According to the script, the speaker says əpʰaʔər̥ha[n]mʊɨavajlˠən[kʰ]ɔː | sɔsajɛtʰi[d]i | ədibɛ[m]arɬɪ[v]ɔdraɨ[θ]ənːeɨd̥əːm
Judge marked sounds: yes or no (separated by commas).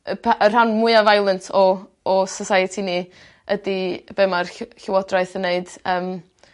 yes, no, no, yes, no, yes